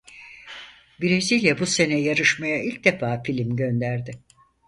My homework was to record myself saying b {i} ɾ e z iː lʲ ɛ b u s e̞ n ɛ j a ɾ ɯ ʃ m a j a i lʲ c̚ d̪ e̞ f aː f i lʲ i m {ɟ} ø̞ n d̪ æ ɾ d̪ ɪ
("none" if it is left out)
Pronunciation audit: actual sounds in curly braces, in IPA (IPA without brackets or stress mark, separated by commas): i, ɟ